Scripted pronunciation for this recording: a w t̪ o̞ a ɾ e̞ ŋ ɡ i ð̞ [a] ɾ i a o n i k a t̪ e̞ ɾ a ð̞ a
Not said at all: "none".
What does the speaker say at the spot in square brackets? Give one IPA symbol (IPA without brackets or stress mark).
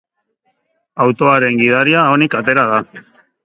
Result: a